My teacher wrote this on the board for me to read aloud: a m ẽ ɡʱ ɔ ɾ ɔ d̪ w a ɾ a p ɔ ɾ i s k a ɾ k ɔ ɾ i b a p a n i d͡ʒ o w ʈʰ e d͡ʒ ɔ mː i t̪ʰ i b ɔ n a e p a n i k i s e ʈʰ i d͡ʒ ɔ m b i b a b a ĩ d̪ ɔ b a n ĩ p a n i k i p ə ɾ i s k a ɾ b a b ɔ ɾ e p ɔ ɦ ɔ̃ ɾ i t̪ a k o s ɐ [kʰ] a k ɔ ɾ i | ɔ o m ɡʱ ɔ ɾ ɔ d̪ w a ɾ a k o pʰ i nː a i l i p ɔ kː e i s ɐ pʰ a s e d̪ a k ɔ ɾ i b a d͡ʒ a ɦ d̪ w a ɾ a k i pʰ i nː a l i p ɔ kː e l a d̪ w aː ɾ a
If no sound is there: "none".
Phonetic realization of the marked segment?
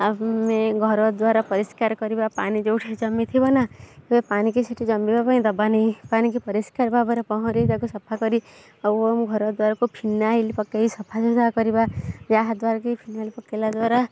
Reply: pʰ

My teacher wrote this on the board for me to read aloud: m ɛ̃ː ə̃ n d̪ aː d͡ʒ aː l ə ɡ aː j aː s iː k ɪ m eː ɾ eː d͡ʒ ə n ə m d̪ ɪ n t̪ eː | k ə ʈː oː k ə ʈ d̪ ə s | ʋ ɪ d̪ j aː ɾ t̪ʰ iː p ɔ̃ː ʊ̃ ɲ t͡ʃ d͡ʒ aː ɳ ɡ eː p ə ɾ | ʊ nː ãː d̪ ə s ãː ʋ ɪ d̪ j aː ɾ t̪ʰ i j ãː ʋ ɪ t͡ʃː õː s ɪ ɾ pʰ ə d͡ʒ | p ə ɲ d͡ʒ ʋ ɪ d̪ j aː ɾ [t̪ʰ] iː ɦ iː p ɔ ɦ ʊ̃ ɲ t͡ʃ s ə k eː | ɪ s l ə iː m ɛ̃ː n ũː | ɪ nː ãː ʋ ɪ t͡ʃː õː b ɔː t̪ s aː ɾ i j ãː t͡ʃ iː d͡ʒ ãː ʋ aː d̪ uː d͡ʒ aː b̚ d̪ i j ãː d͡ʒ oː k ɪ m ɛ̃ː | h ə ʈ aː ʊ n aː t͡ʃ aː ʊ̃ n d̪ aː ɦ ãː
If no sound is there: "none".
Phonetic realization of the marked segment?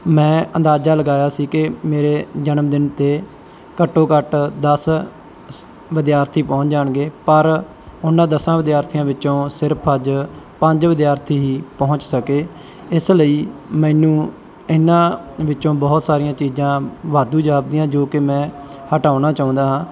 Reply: t̪ʰ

